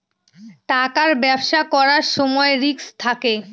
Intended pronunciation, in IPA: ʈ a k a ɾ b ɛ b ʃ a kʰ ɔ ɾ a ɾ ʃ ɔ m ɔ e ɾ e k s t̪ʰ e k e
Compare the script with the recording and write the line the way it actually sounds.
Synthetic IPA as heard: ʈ a k a ɾ b ɛ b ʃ a k ɔ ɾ a ɾ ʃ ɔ m ɔ e ɾ i k s t̪ʰ a k e